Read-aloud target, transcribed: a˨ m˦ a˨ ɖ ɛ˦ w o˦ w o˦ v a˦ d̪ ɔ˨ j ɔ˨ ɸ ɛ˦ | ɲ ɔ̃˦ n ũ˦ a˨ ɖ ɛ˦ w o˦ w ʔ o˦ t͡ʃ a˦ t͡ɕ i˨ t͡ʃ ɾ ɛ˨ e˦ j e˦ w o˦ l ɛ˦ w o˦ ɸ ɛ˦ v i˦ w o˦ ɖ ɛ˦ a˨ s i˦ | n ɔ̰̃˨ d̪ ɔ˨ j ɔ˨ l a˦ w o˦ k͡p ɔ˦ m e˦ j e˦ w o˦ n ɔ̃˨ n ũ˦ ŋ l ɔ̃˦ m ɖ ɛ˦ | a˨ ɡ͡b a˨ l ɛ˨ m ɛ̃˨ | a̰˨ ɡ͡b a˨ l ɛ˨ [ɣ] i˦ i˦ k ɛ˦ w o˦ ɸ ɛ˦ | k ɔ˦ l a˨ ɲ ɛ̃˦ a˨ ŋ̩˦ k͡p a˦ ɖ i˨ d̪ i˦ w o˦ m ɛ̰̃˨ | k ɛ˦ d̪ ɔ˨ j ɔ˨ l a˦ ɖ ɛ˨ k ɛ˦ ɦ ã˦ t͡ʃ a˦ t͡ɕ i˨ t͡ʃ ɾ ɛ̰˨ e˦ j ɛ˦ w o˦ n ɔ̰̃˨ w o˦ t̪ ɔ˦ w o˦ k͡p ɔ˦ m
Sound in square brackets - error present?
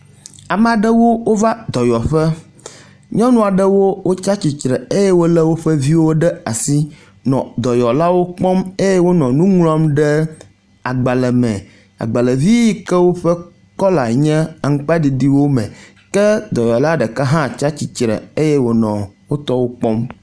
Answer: yes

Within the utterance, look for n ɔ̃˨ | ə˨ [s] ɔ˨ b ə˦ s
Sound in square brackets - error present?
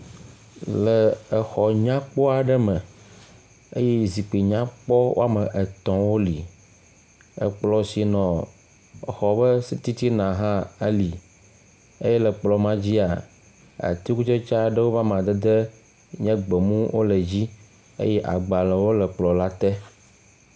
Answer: yes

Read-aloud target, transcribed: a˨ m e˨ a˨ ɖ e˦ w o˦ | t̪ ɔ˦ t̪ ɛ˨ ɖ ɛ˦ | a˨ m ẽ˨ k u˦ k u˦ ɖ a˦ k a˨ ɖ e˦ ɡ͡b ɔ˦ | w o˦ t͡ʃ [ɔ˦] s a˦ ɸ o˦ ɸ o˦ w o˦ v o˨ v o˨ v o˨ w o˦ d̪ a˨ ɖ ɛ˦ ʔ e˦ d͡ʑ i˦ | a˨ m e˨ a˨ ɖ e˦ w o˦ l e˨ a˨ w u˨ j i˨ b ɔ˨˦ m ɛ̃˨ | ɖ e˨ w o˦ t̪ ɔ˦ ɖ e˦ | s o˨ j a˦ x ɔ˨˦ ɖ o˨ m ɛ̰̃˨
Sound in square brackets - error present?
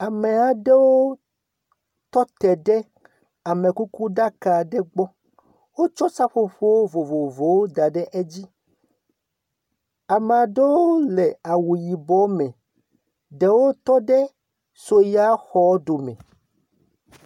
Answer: no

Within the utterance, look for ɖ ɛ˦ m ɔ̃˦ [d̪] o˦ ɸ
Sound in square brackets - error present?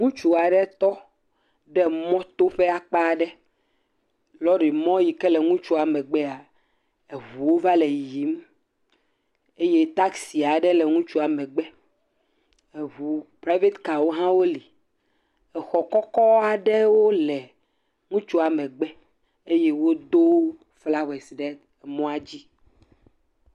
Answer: yes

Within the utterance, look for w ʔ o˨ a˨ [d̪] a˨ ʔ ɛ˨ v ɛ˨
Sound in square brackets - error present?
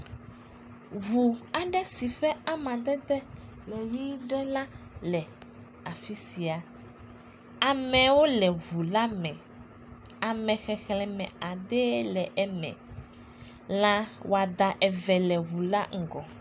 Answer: no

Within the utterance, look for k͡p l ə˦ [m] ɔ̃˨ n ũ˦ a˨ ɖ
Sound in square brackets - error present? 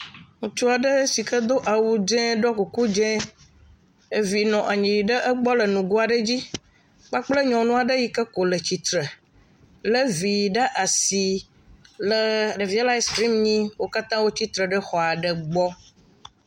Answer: yes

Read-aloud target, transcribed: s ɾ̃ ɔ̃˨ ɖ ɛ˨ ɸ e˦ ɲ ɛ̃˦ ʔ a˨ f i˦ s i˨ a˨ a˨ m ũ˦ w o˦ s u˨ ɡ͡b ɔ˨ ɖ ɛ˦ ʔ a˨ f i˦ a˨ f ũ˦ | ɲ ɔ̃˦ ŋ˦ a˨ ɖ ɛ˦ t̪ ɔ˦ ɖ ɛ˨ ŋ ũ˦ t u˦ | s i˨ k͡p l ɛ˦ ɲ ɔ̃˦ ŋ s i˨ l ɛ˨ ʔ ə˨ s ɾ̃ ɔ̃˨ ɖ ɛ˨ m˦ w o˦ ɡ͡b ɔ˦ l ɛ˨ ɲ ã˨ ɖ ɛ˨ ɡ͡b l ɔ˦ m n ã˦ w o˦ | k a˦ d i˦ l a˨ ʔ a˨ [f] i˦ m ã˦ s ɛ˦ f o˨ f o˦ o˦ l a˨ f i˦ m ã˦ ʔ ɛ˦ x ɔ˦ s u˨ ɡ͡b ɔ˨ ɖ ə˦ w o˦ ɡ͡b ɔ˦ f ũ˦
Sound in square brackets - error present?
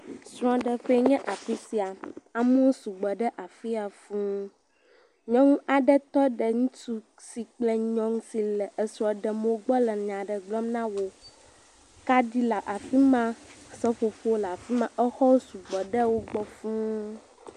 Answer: no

